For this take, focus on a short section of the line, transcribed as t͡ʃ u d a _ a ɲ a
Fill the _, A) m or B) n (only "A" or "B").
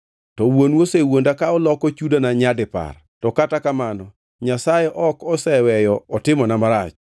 B